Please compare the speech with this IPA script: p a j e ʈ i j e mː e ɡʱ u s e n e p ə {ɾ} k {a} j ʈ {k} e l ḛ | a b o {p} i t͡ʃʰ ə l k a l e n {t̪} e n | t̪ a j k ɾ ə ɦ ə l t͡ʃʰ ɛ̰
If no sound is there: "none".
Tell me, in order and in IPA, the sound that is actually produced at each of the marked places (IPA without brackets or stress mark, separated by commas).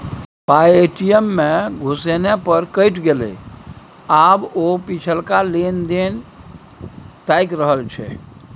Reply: ɾ, ə, ɡ, p, d̪